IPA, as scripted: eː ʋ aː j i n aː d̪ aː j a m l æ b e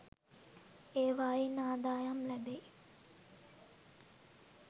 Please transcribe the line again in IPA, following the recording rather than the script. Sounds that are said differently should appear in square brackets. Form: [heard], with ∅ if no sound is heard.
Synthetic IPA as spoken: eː ʋ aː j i n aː d̪ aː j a m l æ b e

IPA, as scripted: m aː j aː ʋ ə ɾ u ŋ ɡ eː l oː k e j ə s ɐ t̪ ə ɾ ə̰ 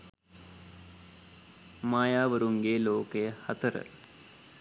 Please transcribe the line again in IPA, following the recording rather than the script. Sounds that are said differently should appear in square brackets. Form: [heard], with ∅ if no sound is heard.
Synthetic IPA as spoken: m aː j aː ʋ ə ɾ u ŋ ɡ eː l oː k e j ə [h] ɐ t̪ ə ɾ ə̰

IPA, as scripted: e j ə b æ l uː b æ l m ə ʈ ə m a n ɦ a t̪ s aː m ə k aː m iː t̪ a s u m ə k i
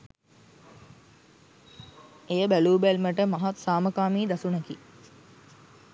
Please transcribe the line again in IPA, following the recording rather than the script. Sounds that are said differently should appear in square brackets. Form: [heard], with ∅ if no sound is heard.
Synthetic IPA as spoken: e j ə b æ l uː b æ l m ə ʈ ə m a [∅] ɦ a t̪ s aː m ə k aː m iː [d̪] a s u [n] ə k i

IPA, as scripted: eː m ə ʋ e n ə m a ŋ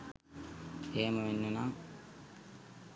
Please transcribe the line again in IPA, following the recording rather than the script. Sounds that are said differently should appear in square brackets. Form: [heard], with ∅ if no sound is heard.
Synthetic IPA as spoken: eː m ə ʋ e [nː] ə [n] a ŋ

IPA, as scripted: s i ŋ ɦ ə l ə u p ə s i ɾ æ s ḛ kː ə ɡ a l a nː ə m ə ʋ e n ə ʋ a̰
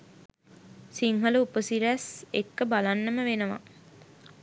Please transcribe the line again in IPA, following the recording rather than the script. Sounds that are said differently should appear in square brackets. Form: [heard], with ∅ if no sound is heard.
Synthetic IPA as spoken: s i ŋ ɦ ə l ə u p ə s i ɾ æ s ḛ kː ə [b] a l a nː ə m ə ʋ e n ə ʋ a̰

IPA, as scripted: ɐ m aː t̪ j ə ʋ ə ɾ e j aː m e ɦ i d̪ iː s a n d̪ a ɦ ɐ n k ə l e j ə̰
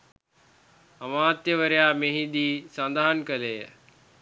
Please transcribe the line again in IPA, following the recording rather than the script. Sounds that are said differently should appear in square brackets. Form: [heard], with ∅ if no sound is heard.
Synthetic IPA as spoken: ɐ m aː t̪ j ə ʋ ə ɾ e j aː m e ɦ i d̪ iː s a n d̪ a ɦ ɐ n k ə l e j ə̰

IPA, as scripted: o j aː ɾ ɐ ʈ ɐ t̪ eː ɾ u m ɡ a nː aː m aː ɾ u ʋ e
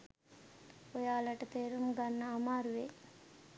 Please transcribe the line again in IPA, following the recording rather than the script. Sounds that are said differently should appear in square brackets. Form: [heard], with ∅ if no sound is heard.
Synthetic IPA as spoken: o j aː [l] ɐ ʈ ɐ t̪ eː ɾ u m ɡ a nː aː m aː ɾ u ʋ e

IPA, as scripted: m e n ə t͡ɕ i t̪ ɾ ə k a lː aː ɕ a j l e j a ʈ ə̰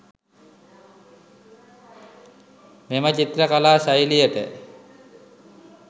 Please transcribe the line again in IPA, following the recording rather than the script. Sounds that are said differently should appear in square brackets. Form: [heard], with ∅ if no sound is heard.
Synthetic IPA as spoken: m e [m] ə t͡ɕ i t̪ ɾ ə k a [l] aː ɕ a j l [i] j [ə] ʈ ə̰

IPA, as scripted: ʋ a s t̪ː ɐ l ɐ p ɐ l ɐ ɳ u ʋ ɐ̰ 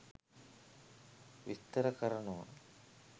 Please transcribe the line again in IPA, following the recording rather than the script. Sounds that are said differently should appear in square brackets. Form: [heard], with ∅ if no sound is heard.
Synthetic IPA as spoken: ʋ [i] s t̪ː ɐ [ɾ] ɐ [k] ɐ [ɾ] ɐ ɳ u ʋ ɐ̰

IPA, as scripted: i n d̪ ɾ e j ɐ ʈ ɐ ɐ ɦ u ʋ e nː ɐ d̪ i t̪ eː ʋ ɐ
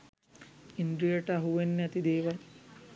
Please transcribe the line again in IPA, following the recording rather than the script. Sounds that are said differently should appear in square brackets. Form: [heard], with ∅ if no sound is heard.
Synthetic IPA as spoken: i n d̪ ɾ [i] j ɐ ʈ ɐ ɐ ɦ u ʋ e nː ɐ [t̪] i [d̪] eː ʋ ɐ

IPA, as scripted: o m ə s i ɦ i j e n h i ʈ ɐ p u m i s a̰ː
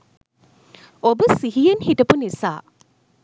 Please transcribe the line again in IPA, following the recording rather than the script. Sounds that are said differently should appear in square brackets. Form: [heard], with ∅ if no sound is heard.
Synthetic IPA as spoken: o [b] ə s i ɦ i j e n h i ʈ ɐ p u [n] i s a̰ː

